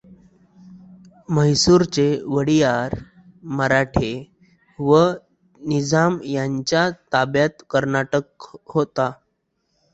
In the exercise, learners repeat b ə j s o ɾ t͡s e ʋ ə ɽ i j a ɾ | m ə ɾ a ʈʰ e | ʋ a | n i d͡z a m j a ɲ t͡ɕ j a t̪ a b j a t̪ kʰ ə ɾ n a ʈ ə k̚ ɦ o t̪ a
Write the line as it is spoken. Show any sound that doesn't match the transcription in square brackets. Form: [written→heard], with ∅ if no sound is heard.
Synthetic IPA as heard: [b→m] ə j s [o→u] ɾ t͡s e ʋ ə ɽ i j a ɾ | m ə ɾ a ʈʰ e | ʋ [a→ə] | n i d͡z a m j a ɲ t͡ɕ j a t̪ a b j a t̪ [kʰ→k] ə ɾ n a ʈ ə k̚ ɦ o t̪ a